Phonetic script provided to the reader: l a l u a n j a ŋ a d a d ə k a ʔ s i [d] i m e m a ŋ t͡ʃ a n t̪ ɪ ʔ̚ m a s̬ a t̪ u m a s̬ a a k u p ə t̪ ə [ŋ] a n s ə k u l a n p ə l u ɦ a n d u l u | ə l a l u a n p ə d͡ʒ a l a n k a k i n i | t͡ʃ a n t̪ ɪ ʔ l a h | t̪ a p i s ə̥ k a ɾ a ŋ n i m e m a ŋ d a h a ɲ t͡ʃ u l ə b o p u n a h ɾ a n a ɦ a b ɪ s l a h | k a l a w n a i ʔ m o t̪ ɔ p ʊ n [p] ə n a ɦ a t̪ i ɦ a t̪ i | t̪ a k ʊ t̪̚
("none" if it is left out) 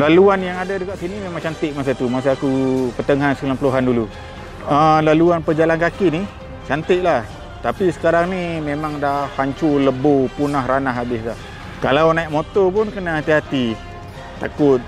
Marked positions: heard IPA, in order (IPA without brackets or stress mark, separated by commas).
n, ŋ, k